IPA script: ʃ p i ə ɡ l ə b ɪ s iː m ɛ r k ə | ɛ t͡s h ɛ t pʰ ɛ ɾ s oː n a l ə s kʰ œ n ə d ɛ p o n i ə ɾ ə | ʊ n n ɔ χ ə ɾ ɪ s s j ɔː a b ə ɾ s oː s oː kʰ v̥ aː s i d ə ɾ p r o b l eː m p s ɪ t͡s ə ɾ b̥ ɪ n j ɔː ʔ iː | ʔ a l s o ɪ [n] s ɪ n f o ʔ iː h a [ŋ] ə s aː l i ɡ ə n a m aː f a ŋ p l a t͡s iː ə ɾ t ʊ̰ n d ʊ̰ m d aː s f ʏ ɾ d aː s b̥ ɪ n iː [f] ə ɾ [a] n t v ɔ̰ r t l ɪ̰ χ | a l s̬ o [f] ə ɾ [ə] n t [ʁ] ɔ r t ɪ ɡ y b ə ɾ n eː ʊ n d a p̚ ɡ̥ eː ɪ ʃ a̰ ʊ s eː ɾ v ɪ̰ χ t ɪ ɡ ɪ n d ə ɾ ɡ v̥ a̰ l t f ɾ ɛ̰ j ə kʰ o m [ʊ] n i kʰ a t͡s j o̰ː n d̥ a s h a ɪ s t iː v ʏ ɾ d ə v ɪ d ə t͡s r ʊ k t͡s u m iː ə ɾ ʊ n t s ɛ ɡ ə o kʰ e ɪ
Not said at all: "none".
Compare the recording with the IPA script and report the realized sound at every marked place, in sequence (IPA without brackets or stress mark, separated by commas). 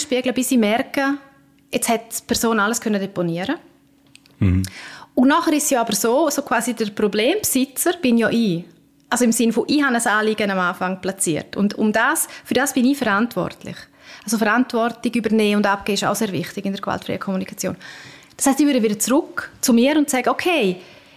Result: m, n, f, a, f, a, v, u